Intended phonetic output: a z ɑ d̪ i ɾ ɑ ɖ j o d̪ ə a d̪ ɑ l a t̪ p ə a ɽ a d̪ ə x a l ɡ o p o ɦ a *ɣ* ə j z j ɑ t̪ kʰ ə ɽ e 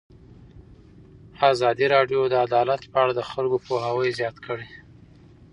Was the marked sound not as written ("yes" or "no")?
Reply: yes